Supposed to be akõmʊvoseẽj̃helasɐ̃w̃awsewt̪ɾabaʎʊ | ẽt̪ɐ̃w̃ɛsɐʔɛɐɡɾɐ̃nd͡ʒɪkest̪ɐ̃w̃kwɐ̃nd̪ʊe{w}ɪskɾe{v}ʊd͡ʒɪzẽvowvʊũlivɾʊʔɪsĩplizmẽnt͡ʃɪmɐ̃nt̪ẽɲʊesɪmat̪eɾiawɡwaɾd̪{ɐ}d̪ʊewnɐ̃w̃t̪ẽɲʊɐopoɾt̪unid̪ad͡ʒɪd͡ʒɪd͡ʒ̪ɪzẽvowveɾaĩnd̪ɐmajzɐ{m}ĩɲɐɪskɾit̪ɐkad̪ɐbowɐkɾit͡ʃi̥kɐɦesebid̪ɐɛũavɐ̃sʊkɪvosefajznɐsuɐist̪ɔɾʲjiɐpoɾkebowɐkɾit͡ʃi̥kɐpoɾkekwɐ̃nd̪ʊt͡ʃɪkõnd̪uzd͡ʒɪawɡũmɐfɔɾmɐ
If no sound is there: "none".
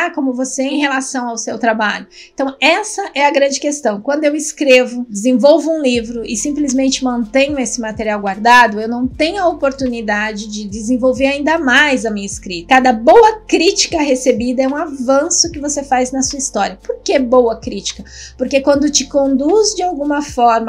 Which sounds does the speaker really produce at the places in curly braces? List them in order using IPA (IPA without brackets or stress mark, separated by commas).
w, v, a, m